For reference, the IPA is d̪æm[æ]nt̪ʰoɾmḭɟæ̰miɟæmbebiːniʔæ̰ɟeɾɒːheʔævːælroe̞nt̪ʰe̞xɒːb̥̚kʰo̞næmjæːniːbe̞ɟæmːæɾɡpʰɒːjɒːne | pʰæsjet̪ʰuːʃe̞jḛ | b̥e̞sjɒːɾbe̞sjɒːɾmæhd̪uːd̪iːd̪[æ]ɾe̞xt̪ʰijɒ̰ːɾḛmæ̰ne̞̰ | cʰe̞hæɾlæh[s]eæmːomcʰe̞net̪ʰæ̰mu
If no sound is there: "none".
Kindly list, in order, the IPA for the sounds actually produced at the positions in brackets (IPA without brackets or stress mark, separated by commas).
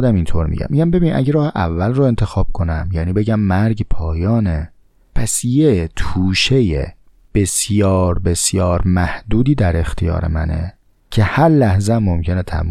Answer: i, æ, z